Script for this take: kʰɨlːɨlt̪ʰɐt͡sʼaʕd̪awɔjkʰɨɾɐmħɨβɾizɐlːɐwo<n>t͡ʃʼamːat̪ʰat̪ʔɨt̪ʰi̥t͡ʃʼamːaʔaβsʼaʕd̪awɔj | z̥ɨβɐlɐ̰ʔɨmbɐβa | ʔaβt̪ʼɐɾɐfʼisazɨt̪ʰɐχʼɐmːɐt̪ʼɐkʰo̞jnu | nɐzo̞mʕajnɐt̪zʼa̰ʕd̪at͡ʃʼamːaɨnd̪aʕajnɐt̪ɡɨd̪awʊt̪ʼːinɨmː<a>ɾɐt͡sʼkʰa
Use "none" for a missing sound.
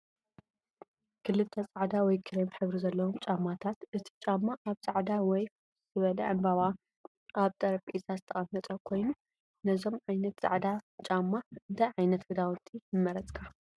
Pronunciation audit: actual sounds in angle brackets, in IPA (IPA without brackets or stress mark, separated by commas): m, ɐ